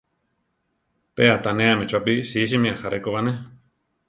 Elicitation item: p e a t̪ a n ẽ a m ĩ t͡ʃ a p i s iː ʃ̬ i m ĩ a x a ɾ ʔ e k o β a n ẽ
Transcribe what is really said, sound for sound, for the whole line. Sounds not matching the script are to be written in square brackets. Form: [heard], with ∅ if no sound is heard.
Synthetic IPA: p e a t̪ a n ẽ a m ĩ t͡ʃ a p i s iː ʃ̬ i m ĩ a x a ɾ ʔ e k o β a n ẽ